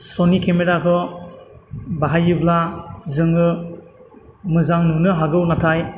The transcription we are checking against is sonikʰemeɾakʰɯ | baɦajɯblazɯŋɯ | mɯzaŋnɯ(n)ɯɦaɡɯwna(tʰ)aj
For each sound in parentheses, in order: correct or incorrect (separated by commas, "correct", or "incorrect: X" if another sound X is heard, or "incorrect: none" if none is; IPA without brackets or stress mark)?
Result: correct, correct